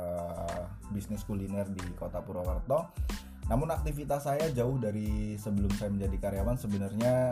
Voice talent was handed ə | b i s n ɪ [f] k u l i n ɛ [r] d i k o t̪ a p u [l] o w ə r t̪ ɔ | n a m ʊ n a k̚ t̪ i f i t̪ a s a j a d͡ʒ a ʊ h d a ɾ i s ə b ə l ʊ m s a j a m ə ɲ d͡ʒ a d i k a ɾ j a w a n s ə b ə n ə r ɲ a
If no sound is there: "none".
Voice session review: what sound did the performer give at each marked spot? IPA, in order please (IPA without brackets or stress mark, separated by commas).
s, r, ɾ